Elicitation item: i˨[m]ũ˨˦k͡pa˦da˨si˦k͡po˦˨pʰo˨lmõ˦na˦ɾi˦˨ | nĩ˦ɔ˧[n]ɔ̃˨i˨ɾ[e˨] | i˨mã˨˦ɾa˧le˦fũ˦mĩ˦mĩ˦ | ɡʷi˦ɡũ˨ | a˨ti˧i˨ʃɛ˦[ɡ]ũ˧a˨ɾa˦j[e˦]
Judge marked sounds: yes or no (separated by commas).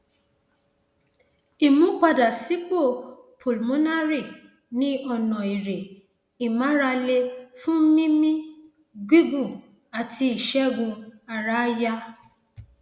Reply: yes, yes, yes, yes, no